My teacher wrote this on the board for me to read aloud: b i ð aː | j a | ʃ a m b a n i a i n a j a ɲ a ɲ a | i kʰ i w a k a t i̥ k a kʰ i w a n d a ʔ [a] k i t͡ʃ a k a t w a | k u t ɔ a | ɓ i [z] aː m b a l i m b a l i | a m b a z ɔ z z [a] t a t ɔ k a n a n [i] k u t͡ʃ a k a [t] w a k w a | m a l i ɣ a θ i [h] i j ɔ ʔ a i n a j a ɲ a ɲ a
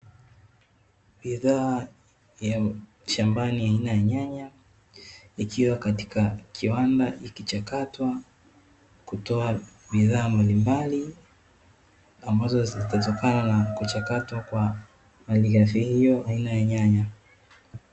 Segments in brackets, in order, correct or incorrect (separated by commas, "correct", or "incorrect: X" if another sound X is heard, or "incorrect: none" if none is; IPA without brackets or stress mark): incorrect: i, incorrect: ð, incorrect: i, incorrect: a, correct, correct